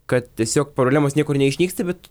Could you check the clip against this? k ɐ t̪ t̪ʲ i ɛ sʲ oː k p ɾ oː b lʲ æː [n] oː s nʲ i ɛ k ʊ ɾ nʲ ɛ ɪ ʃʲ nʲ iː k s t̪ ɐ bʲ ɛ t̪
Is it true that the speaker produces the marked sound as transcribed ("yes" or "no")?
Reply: no